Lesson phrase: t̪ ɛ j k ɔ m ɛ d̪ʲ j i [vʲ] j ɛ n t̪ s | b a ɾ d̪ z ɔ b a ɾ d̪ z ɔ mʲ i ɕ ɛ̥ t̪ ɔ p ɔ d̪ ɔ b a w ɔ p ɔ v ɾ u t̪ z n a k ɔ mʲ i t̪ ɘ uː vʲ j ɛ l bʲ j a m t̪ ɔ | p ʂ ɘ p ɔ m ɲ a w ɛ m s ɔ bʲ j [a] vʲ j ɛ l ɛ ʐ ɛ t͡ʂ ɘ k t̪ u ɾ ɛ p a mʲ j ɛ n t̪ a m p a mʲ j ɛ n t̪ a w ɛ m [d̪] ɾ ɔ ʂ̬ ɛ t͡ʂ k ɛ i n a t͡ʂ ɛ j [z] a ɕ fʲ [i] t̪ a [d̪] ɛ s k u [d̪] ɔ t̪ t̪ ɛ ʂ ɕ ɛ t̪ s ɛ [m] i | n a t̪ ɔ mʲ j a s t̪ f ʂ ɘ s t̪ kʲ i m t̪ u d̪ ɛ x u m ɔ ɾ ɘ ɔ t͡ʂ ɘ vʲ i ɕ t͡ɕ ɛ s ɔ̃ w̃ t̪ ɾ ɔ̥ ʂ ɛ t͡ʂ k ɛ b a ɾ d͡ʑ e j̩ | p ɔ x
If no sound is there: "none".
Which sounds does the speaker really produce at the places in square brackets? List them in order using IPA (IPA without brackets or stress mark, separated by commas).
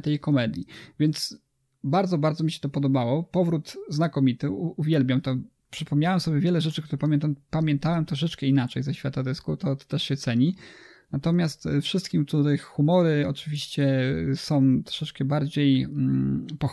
vʲ, ɛ, t̪, z, a, d̪, t̪, ɲ